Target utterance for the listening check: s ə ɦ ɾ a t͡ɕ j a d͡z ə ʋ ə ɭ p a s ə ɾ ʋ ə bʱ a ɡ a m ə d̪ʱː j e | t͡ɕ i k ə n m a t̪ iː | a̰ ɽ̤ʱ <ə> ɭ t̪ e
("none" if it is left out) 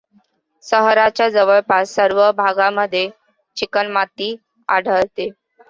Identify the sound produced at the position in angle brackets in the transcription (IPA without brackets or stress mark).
ə